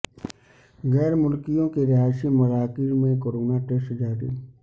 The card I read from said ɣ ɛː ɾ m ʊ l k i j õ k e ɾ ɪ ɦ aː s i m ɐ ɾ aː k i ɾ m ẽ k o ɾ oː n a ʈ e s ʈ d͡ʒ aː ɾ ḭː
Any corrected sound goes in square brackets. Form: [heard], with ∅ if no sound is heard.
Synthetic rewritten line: ɣ ɛː ɾ m ʊ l k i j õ k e ɾ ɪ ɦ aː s i m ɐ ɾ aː k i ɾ m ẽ k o ɾ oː n a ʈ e s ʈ d͡ʒ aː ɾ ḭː